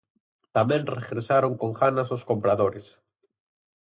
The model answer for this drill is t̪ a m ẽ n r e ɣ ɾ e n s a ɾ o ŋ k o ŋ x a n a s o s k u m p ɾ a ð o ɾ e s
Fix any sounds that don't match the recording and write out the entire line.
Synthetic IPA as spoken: t̪ a m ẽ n r e ɣ ɾ e s a ɾ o ŋ k o ŋ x a n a s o s k o m p ɾ a ð o ɾ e s